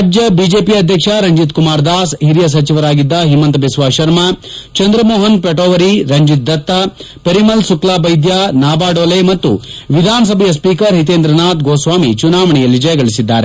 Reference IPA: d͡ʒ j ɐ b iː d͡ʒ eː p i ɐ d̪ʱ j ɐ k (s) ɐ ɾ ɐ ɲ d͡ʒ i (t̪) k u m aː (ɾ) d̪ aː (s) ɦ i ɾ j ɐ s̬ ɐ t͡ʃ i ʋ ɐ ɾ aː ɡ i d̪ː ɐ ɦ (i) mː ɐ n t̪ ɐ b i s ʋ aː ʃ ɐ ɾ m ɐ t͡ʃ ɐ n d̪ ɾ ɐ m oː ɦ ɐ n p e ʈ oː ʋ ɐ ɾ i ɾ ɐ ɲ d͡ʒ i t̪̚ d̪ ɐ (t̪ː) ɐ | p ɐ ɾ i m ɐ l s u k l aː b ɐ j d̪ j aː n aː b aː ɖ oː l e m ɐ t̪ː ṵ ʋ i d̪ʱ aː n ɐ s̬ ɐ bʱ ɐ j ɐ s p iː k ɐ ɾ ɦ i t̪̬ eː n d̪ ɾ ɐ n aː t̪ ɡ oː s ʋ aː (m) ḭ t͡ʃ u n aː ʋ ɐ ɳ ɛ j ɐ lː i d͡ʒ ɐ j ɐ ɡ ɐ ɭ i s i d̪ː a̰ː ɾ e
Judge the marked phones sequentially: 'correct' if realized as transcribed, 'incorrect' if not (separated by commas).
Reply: incorrect, correct, correct, correct, correct, correct, correct